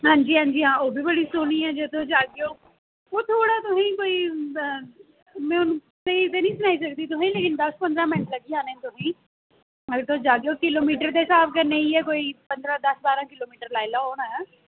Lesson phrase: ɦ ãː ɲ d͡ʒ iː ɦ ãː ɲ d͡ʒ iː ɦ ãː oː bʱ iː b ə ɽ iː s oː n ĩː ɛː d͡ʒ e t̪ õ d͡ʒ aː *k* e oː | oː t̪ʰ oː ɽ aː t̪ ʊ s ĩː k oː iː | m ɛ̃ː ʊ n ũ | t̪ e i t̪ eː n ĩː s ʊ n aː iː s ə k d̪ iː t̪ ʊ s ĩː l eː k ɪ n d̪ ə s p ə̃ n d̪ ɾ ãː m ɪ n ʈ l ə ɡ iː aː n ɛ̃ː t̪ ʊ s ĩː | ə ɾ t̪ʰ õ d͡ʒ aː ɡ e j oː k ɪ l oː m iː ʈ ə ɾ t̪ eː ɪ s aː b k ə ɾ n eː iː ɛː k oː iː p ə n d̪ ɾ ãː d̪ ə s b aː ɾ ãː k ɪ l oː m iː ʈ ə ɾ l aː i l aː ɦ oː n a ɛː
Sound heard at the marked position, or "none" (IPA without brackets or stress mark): ɡ